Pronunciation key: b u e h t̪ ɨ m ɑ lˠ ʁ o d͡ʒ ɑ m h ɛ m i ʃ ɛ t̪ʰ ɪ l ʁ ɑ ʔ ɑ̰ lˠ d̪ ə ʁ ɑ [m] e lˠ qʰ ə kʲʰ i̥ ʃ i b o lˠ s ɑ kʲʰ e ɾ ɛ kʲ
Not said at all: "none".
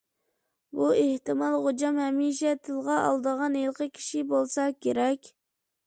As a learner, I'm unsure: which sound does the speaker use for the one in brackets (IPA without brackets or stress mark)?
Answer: n